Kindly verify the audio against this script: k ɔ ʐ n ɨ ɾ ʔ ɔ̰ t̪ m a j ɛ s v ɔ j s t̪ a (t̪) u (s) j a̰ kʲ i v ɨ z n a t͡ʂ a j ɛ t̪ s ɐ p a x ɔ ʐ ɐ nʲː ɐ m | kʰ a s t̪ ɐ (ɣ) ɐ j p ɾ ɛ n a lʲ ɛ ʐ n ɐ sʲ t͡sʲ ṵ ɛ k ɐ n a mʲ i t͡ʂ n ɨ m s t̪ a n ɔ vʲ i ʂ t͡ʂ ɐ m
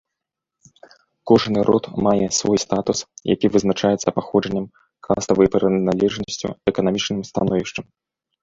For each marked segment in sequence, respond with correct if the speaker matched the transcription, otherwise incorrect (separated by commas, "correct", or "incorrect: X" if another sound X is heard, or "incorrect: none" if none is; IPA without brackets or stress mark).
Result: correct, correct, incorrect: v